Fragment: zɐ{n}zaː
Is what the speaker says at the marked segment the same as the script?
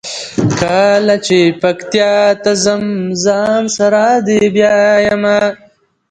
no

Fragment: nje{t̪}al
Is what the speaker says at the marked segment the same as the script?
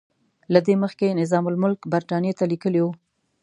yes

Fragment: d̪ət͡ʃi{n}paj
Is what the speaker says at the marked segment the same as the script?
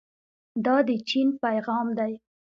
yes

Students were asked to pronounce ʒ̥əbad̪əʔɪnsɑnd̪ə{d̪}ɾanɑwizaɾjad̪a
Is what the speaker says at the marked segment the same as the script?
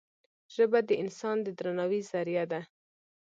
yes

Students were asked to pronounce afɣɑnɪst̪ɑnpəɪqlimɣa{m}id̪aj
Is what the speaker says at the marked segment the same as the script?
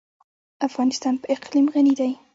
no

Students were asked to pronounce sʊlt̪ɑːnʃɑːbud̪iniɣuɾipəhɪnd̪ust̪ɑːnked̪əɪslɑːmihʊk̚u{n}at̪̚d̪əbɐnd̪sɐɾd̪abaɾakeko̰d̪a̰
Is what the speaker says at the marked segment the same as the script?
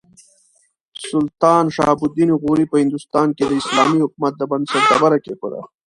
no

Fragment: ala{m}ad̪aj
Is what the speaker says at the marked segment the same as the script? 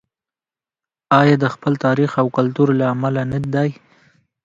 no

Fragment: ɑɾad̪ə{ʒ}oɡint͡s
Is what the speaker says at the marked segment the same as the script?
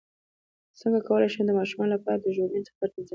yes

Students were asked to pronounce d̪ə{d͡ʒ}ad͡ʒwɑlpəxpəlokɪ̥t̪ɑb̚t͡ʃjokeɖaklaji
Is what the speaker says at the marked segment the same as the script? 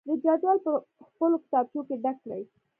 yes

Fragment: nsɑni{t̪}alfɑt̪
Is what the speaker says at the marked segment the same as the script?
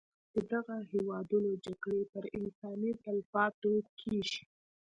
yes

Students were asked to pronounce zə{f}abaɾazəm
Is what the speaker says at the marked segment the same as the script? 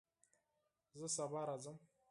no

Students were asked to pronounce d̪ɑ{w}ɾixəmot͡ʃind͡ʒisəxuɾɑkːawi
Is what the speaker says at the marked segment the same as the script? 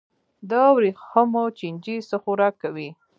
yes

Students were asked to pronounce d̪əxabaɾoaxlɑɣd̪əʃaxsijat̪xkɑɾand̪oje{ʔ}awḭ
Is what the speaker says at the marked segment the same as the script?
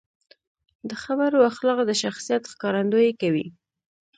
no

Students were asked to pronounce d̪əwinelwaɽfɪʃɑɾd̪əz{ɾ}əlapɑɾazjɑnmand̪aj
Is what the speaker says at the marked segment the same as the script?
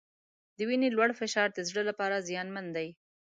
no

